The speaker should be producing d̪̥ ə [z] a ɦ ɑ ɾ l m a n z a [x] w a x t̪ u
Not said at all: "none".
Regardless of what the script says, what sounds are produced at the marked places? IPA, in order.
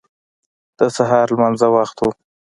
s, none

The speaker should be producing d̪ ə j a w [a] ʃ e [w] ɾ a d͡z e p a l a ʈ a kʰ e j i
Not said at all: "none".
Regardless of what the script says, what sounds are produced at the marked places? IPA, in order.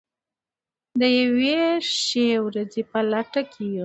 e, w

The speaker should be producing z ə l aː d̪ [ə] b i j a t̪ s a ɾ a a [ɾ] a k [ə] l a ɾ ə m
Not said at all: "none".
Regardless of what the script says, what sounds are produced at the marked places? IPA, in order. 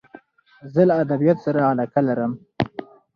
a, l, a

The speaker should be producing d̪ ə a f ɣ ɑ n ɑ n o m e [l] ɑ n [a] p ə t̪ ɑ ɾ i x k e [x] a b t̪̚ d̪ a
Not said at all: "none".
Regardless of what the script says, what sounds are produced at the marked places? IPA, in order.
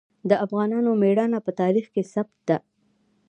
ɽ, a, s

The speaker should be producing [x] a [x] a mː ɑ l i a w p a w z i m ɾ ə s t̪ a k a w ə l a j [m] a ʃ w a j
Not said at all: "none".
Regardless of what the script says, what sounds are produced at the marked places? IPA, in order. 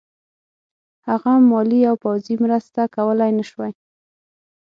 h, ɣ, n

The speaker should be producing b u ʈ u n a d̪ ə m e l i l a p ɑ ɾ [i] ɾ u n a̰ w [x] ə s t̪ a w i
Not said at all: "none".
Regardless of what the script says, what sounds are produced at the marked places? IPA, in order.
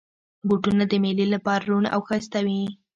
a, x

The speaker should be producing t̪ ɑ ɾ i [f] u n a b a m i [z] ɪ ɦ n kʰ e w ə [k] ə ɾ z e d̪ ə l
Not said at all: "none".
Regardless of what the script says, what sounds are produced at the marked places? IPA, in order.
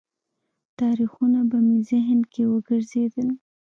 x, z, ɡ

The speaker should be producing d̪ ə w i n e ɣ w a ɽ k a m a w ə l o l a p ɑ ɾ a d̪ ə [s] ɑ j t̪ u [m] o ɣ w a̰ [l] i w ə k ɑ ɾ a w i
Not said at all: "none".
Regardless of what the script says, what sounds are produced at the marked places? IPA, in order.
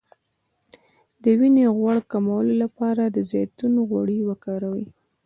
z, n, ɽ

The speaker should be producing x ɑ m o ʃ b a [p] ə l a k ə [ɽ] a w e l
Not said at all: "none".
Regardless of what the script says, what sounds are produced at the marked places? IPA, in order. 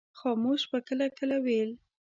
k, l

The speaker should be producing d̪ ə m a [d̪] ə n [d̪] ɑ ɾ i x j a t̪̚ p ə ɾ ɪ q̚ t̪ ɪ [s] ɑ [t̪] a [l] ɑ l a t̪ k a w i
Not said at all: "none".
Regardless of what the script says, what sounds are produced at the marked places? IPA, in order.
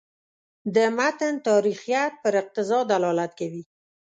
t̪, t̪, z, d̪, l

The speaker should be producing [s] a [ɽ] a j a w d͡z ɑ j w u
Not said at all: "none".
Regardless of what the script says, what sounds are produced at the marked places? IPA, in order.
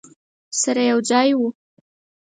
s, ɾ

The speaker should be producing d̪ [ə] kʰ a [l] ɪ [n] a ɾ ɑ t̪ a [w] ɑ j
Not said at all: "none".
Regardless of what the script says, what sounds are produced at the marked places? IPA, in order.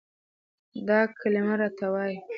ɑ, l, m, w

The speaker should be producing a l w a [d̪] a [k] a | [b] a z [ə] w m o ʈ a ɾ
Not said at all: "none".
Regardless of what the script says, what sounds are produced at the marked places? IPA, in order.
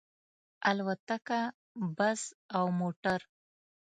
t̪, k, b, a

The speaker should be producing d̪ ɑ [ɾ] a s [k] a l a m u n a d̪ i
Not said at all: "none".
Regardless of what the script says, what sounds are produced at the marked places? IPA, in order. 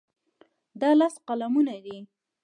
l, q

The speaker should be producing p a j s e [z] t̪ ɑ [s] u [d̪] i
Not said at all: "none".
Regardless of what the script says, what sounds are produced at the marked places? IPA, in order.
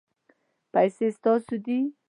s, s, d̪

